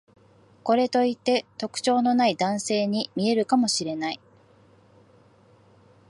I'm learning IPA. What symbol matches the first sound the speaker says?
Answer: k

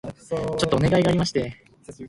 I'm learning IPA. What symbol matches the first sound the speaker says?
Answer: t͡ɕ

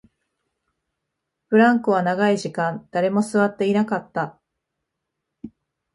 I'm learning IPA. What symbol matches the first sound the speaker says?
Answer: ɸ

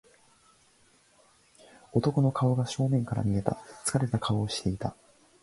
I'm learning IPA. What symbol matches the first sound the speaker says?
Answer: o̞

